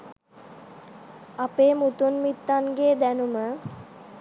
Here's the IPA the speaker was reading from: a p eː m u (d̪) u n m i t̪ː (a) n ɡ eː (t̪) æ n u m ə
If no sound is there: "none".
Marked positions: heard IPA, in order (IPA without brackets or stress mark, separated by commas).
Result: t̪, a, d̪